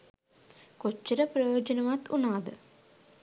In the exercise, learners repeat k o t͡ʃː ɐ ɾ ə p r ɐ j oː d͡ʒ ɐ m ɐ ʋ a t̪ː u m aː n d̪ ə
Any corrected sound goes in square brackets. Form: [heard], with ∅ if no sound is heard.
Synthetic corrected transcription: k o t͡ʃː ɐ ɾ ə p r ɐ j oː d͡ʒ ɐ [n] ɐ ʋ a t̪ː u [n] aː [∅] d̪ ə

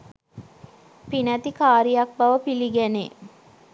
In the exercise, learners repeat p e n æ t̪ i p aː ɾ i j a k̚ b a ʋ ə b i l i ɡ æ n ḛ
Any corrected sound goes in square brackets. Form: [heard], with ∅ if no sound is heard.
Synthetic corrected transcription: p [i] n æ t̪ i [k] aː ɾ i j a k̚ b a ʋ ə [p] i l i ɡ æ n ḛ

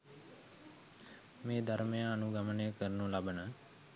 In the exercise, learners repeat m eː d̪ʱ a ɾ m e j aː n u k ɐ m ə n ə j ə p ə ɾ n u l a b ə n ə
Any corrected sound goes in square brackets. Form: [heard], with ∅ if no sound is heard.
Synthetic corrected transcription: m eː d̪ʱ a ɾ m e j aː n u [ɡ] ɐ m ə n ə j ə [k] ə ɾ n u l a b ə n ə

